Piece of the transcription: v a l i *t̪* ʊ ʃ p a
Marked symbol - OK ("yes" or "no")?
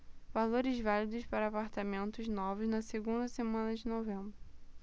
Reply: no